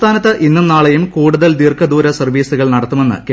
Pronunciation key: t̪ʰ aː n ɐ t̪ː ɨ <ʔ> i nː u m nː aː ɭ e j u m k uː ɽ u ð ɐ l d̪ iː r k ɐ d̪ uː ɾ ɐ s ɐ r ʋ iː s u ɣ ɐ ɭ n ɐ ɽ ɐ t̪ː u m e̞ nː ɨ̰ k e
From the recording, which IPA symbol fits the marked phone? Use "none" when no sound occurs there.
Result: ʔ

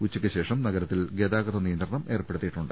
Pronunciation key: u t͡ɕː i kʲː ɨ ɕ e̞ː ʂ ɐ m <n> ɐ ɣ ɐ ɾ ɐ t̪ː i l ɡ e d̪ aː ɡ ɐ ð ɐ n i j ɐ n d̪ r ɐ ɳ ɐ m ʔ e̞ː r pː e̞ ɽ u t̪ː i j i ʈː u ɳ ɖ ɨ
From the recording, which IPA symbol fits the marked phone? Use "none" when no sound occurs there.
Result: n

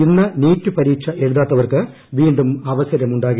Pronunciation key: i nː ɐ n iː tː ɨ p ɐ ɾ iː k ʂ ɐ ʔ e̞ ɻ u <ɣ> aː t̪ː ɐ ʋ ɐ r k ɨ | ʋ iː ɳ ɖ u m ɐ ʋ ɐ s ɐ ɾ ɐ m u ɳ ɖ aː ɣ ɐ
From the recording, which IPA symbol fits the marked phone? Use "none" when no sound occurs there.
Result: ð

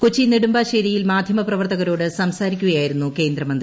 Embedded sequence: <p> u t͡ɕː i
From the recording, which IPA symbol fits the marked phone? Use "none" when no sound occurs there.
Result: k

